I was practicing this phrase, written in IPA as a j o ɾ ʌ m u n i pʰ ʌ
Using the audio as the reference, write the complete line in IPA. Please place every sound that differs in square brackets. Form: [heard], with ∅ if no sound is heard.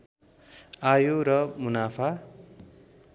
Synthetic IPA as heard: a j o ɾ ʌ m u n [a] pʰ [a]